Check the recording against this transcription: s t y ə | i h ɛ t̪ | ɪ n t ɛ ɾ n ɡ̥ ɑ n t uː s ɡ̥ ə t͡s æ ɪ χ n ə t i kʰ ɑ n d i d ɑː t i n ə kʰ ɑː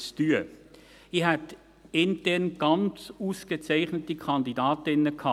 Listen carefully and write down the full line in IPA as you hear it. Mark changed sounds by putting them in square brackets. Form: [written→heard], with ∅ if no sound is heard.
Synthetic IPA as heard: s t y ə | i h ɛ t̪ | ɪ n t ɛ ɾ n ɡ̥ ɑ n [t→t͡s] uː s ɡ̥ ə t͡s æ ɪ χ n ə t i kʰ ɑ n d i d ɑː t [i→ɪ] n ə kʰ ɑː